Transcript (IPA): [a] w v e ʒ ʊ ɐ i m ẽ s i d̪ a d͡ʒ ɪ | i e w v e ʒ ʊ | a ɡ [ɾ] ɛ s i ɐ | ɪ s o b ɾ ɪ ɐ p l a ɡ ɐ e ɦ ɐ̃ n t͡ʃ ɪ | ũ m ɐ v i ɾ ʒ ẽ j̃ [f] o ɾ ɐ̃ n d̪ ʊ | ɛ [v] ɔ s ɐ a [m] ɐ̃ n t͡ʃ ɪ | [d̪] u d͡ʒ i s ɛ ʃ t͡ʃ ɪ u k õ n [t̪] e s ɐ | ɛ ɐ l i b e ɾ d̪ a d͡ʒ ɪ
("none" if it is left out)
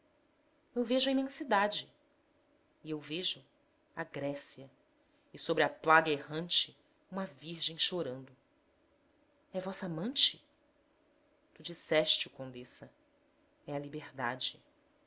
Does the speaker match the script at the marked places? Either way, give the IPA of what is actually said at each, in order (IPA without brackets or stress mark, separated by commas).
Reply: e, ɾ, ʃ, v, m, t̪, d̪